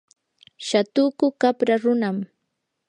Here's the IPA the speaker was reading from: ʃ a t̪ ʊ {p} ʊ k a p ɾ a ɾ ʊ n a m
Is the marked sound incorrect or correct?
incorrect